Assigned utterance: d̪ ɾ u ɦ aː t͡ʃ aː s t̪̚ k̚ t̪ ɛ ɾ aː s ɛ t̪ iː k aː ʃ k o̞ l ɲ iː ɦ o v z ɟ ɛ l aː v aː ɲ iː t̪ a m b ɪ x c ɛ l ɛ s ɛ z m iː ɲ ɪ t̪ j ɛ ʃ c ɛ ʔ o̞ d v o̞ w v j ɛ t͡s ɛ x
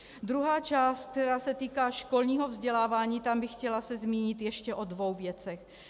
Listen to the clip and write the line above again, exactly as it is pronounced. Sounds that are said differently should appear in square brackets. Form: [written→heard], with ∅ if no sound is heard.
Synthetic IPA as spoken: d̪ ɾ u ɦ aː t͡ʃ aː s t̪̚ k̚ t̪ ɛ ɾ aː s ɛ t̪ iː k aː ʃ k o̞ l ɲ iː ɦ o v z ɟ ɛ l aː v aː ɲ iː t̪ a m b ɪ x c ɛ l [ɛ→a] s ɛ z m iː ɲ ɪ t̪ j ɛ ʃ c ɛ ʔ o̞ d v o̞ w v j ɛ t͡s ɛ x